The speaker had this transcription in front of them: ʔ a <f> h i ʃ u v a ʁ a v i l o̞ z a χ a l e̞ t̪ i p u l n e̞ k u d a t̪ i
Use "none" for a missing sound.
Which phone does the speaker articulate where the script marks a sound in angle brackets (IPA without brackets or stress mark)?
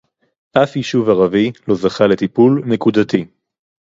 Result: f